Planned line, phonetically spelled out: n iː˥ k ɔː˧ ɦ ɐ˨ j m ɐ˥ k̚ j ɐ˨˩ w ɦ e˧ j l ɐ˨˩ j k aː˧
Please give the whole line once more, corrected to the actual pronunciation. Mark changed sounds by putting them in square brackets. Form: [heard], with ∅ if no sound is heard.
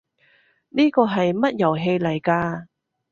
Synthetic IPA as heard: n iː˥ k ɔː˧ ɦ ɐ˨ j m ɐ˥ [t̚] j ɐ˨˩ w ɦ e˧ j l ɐ˨˩ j k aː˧